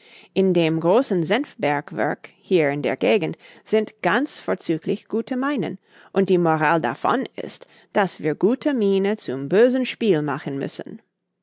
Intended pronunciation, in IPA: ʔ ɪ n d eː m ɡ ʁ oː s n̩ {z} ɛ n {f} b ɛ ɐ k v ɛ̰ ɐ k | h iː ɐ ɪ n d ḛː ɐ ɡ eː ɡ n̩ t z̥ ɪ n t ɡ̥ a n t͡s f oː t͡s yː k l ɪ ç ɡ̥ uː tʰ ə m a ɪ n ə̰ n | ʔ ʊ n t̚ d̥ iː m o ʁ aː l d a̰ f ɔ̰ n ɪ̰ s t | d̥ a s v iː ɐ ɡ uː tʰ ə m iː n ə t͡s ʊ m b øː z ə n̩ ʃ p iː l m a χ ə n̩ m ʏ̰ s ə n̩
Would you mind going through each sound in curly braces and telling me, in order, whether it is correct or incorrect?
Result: correct, correct

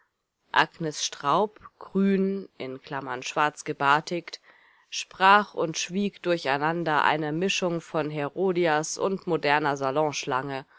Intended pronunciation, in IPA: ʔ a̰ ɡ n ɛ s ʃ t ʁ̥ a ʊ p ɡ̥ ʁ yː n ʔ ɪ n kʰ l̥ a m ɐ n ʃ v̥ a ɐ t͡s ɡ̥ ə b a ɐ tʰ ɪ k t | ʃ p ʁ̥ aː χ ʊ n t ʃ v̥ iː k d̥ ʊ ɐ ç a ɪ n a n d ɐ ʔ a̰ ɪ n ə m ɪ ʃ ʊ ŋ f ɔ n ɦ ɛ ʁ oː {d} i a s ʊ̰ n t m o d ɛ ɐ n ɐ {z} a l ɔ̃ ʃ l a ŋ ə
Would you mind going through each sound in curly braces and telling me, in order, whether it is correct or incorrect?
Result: correct, correct

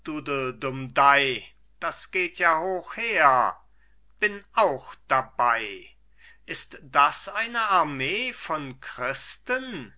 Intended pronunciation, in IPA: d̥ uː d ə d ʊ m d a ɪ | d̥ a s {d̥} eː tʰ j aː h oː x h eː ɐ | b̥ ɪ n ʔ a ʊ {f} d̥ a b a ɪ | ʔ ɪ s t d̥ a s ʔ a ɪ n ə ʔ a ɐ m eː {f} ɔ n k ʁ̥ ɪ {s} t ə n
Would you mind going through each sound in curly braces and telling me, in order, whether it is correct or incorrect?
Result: incorrect: ɡ̥, incorrect: x, correct, correct

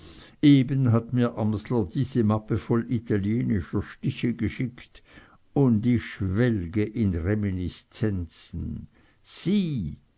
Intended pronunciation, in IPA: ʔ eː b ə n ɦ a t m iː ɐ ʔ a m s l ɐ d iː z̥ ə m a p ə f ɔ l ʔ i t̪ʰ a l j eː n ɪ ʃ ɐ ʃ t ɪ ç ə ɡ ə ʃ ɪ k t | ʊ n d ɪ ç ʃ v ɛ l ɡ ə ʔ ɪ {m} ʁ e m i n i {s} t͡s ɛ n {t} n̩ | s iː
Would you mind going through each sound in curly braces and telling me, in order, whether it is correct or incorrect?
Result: incorrect: n, correct, incorrect: t͡s

